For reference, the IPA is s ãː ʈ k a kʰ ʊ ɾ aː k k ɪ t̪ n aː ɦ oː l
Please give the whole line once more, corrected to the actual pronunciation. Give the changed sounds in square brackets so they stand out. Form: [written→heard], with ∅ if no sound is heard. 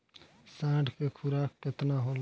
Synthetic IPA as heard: s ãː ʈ k [a→e] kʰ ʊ ɾ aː k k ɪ t̪ n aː ɦ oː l